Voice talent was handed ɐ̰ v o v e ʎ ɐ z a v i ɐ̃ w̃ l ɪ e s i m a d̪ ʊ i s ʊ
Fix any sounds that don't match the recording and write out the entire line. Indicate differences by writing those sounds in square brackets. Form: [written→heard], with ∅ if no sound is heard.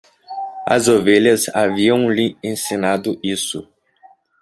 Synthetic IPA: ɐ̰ [v→z] o v e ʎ ɐ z a v i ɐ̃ w̃ l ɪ [e→ẽ] s i [m→n] a d̪ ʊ i s ʊ